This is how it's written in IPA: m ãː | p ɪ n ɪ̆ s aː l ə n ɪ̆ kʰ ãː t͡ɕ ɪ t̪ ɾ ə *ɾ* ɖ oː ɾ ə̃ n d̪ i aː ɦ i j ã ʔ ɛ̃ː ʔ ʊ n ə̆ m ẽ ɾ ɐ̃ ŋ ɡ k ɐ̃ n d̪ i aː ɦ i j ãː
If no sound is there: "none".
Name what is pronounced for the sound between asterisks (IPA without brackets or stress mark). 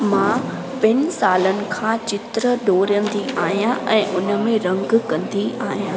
none